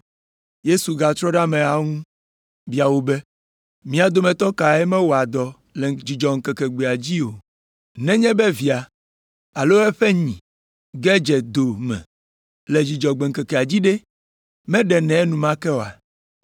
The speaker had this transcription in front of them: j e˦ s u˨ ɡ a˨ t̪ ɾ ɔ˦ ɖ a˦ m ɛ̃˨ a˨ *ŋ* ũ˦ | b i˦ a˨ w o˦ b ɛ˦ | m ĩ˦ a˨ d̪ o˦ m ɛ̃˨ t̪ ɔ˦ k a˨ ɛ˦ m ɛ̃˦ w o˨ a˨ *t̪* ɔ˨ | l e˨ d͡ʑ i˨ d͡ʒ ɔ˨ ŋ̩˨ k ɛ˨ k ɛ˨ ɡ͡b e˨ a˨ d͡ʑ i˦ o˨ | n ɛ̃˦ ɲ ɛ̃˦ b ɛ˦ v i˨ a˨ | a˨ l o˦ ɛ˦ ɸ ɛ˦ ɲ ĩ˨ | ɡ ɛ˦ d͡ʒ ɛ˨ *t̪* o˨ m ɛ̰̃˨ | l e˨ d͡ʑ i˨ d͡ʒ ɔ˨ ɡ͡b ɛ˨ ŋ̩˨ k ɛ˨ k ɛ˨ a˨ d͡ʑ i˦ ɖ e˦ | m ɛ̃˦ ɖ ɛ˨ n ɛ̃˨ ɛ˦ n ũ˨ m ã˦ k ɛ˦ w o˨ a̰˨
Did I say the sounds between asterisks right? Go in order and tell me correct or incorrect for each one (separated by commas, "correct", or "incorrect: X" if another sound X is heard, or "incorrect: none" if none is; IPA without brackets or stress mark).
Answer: correct, incorrect: d̪, incorrect: d̪